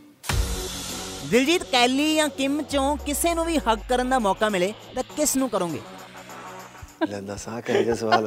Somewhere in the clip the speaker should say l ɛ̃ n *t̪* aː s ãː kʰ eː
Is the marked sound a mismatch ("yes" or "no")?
yes